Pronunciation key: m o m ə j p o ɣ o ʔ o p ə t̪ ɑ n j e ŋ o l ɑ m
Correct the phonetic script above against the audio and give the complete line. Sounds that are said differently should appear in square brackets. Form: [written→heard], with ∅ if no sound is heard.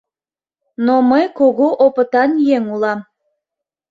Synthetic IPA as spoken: [m→n] o m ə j [p→k] o ɣ o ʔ o p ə t̪ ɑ n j e ŋ [o→u] l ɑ m